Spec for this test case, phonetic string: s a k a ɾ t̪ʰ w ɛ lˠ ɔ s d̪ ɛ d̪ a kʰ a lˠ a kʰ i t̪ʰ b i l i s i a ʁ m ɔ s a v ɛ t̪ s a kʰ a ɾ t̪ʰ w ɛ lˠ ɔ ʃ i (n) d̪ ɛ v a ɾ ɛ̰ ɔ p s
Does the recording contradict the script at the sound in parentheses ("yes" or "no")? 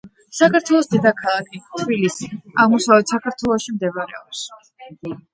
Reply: yes